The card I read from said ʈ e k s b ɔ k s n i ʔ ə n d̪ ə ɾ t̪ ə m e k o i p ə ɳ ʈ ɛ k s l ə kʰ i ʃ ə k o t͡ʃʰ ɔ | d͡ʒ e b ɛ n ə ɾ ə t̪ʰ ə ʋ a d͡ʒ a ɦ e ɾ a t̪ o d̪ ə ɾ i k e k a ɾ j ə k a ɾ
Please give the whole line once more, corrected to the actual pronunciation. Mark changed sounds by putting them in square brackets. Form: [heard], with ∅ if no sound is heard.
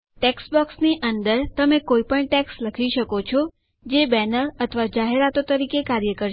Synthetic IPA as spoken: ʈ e k s b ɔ k s n i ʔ ə n d̪ ə ɾ t̪ ə m e k o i p ə ɳ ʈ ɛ k s l ə kʰ i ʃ ə k o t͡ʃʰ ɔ | d͡ʒ e b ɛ n ə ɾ ə t̪ʰ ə ʋ a d͡ʒ a ɦ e ɾ a t̪ o [t̪] ə ɾ i k e k a ɾ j ə k [ə] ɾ